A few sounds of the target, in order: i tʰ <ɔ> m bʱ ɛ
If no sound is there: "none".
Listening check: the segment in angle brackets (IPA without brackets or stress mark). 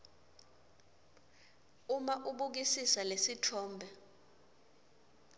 ɔː